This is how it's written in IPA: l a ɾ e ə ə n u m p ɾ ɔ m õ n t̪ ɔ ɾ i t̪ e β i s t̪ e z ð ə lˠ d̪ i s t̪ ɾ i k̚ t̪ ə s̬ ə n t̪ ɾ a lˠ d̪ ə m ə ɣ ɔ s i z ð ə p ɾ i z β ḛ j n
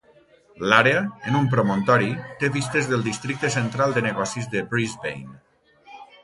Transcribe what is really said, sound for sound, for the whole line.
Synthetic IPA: l a ɾ e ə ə n u m p ɾ o m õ n t̪ ɔ ɾ i t̪ e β i s t̪ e z ð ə lˠ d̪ i s t̪ ɾ i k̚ t̪ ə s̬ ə n t̪ ɾ a lˠ d̪ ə n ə ɣ ɔ s i z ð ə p ɾ i z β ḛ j n